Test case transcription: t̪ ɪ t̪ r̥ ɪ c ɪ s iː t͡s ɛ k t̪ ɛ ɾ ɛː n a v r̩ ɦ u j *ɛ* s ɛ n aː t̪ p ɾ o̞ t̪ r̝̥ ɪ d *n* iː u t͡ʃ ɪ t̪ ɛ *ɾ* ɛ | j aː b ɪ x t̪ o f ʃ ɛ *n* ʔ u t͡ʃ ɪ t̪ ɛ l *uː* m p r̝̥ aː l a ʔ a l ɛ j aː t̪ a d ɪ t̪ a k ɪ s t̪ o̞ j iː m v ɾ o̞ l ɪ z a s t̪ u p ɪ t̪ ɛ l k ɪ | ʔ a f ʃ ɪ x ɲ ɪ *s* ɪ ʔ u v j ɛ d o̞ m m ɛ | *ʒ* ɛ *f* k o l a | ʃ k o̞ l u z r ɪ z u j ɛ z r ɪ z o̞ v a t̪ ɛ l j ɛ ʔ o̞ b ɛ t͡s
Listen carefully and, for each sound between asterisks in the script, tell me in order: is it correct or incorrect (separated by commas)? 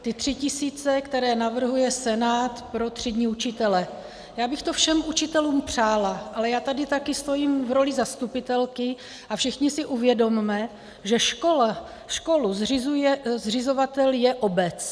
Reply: correct, incorrect, incorrect, incorrect, correct, correct, correct, incorrect